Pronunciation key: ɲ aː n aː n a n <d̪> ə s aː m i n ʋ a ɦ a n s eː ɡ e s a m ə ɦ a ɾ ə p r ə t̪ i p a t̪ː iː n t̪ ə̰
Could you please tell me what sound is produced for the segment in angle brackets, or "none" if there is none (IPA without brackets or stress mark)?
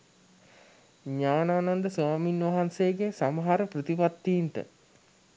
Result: d̪